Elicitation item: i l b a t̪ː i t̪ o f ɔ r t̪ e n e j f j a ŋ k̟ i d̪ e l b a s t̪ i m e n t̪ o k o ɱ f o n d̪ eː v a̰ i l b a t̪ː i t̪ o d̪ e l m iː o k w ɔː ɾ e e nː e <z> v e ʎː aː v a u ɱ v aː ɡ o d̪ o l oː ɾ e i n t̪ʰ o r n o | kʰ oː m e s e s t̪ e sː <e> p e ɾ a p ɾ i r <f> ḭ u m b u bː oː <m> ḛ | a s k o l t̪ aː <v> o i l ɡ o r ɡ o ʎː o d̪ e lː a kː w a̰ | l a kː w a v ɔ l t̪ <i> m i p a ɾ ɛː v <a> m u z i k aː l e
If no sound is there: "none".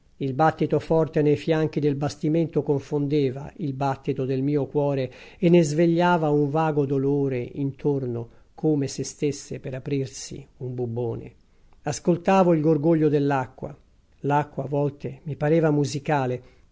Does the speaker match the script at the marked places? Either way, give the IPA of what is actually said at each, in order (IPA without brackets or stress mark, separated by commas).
z, e, s, n, v, e, a